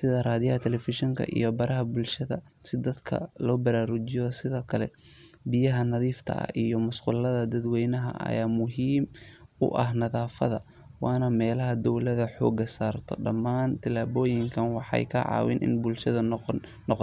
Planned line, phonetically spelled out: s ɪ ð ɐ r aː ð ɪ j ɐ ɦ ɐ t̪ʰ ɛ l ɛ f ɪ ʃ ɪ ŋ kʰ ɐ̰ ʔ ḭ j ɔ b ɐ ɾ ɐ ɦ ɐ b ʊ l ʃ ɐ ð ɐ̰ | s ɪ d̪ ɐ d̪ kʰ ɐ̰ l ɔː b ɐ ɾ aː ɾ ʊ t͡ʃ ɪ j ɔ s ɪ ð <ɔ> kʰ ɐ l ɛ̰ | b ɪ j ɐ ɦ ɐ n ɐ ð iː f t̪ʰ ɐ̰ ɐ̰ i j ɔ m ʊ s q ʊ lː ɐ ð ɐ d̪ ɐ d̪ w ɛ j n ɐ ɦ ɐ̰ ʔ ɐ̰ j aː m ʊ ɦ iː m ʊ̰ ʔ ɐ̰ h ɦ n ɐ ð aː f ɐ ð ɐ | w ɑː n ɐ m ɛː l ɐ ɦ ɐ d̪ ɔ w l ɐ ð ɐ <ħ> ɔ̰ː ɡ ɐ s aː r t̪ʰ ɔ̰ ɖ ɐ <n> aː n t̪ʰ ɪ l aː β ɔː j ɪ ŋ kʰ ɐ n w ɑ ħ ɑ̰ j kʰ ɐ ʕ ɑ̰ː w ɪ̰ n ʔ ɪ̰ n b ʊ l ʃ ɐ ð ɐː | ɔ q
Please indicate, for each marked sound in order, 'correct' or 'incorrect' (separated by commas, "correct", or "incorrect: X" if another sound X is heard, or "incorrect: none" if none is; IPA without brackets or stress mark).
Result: incorrect: ɔː, correct, incorrect: m